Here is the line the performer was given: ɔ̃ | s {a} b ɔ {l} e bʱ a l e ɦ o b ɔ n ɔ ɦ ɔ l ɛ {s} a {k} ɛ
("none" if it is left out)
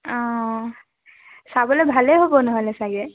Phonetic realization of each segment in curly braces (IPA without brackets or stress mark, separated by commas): a, l, s, ɡ